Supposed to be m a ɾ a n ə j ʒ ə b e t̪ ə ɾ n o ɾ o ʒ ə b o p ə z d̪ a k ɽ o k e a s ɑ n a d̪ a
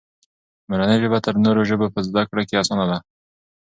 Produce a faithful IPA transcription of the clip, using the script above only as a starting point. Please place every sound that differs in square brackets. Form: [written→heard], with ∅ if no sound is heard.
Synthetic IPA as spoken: m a ɾ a n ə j ʒ ə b [e→a] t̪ ə ɾ n o ɾ o ʒ ə b o p ə z d̪ a k ɽ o k e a s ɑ n a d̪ a